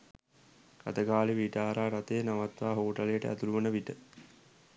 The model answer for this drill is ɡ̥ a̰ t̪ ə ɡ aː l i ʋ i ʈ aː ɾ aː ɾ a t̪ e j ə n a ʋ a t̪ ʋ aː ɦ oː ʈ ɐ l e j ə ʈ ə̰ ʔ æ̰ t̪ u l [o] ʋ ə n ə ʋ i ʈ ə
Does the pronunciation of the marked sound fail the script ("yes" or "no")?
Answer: yes